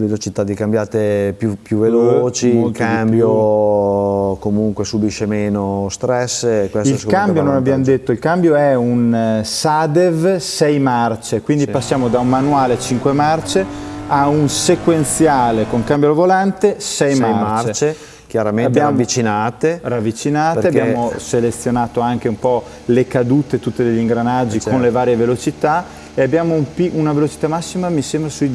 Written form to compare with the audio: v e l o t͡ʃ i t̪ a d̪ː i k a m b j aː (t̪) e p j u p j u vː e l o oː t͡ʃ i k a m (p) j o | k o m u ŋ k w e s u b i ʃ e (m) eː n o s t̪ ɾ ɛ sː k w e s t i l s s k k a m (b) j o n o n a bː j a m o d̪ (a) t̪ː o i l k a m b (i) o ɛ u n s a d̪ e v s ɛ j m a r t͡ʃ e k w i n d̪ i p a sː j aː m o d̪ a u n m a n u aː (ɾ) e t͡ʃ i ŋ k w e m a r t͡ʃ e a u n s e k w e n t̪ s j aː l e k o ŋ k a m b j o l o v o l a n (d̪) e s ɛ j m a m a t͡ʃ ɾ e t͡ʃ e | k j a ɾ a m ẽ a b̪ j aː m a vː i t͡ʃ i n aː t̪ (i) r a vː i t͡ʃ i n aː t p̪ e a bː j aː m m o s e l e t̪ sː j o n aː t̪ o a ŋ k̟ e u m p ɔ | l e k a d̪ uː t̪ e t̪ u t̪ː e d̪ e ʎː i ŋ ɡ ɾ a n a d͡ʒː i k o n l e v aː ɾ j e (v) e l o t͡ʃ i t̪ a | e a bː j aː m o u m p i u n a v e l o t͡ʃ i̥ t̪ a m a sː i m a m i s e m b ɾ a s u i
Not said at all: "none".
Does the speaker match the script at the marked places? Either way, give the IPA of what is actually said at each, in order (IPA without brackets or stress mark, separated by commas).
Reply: t̪, b, m, b, e, j, l, t̪, e, v